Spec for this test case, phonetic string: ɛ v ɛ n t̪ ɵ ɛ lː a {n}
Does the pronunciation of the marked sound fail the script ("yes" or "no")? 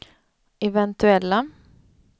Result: yes